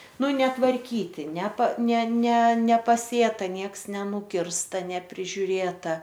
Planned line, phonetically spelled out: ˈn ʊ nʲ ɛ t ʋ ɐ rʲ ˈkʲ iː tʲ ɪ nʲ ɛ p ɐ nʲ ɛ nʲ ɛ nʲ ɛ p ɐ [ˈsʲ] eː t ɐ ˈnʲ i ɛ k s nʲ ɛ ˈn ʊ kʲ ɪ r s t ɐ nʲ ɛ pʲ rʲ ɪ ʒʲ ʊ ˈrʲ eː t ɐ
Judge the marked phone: correct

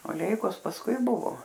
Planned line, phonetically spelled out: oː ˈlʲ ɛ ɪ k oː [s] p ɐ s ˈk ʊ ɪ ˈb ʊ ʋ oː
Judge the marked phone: correct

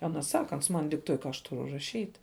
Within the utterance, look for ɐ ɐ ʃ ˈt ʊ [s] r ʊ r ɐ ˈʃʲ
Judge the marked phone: incorrect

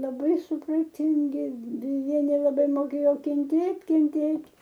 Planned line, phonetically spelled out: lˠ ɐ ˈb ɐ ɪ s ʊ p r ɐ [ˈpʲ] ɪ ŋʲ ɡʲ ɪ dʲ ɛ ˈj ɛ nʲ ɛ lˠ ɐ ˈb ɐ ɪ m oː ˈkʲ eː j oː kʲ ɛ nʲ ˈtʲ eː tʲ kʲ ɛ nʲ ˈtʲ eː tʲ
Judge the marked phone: incorrect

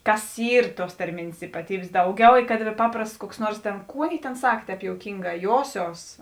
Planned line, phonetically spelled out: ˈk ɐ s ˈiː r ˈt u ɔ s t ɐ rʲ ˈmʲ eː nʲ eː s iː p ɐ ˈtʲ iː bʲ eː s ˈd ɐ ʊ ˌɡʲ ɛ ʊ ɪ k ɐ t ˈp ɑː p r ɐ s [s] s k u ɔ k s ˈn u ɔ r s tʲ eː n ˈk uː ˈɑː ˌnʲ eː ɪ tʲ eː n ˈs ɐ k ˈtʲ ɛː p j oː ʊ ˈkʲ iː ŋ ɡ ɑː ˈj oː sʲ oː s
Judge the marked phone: incorrect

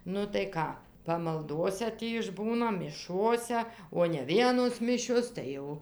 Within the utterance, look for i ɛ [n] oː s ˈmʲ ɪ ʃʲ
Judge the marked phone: correct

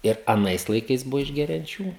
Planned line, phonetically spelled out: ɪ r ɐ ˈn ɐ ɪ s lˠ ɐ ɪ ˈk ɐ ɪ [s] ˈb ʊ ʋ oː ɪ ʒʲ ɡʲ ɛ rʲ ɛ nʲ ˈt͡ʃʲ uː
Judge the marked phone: correct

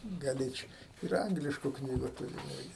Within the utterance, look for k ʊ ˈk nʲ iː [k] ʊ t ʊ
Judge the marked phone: incorrect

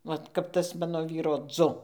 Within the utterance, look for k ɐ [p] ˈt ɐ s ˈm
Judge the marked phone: correct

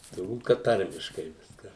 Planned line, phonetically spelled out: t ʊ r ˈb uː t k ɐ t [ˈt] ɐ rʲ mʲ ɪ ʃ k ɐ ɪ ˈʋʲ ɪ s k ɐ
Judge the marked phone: correct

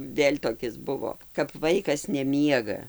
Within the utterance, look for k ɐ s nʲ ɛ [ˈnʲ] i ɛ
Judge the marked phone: incorrect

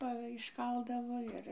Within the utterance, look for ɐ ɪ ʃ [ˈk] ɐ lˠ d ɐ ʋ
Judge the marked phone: correct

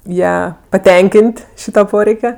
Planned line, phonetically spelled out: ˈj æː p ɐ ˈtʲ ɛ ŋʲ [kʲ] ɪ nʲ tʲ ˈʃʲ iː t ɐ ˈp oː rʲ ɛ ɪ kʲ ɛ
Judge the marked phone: correct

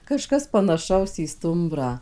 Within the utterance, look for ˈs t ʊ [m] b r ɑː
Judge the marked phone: correct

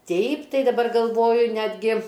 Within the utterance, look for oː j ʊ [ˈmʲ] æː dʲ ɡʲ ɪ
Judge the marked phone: incorrect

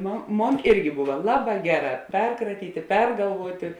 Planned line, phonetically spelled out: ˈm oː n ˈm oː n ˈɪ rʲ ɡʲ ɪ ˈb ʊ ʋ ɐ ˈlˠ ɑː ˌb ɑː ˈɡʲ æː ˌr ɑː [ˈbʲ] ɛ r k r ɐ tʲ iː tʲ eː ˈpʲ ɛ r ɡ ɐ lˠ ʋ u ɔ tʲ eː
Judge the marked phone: incorrect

